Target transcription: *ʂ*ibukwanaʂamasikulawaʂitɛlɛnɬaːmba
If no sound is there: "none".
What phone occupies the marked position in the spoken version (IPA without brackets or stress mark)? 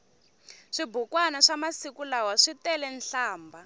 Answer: ʂ